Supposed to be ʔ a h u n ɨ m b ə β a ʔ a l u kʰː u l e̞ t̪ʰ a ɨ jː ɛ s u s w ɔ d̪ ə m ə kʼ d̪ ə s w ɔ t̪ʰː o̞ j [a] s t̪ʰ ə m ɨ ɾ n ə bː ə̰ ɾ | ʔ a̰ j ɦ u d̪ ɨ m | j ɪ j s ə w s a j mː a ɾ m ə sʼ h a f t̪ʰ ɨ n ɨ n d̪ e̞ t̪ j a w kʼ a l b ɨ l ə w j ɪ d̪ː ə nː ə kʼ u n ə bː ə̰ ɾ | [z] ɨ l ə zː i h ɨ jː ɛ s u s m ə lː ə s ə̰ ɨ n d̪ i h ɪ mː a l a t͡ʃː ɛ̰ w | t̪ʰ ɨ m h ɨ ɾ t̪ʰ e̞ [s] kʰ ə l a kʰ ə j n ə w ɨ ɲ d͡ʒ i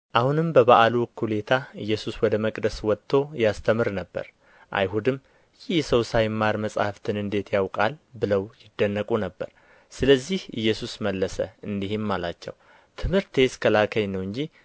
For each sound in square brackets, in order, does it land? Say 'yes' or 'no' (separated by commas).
yes, no, yes